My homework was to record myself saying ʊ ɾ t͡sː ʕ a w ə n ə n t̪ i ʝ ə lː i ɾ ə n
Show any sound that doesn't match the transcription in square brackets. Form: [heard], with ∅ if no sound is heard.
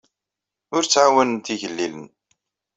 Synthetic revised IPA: ʊ ɾ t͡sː ʕ a w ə n ə n t̪ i ʝ ə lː i [l] ə n